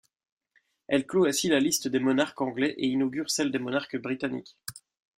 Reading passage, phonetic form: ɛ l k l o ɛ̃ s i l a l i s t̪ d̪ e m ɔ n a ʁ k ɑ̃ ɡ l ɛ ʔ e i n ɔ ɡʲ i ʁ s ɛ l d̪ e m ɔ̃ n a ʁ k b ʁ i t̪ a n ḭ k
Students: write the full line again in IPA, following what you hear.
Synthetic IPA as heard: ɛ l k l o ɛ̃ s i l a l i s t̪ d̪ e m ɔ n a ʁ k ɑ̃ ɡ l ɛ ʔ e i n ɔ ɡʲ y ʁ s ɛ l d̪ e m ɔ n a ʁ k b ʁ i t̪ a n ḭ k